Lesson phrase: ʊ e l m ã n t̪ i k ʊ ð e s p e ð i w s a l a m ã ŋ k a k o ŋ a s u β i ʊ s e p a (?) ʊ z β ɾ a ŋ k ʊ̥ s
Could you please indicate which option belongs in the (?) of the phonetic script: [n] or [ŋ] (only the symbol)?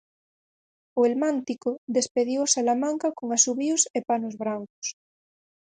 n